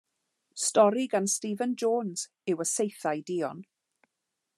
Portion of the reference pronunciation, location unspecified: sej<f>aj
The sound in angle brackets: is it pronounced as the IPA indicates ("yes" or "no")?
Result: no